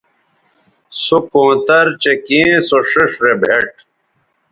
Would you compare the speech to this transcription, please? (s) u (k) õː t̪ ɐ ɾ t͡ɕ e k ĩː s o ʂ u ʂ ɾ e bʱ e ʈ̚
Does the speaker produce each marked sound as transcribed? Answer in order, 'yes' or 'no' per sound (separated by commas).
yes, yes